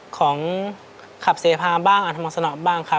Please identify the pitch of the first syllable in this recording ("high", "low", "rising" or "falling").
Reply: rising